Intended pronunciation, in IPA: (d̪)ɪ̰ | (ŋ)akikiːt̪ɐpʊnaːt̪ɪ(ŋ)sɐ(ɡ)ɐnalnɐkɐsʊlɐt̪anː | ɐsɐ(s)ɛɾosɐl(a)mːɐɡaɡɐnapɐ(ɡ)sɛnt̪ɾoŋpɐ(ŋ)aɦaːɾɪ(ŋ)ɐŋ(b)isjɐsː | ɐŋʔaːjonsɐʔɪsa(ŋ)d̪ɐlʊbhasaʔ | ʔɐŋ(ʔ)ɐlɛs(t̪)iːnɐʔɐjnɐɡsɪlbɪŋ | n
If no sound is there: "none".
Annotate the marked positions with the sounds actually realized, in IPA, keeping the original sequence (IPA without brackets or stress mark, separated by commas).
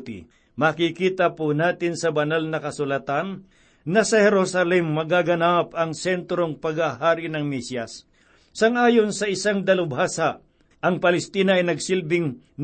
t̪, m, n, b, h, ɛ, ŋ, ɡ, n, m, ŋ, p, t̪